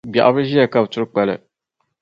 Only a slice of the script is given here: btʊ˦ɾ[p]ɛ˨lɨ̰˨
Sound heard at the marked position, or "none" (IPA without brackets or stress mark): k͡p